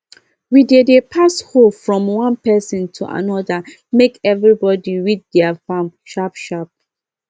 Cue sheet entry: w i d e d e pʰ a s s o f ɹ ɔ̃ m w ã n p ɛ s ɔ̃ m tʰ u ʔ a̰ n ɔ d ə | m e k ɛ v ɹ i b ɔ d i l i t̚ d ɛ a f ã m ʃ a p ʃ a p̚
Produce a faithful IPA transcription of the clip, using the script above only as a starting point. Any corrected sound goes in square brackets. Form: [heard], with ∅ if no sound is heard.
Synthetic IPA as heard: w i d e d e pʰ a s [h] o f ɹ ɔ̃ m w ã n p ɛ s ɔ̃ [n] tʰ u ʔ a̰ n ɔ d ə | m e k ɛ v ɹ i b ɔ d i [ɹ] i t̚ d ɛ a f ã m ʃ a p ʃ a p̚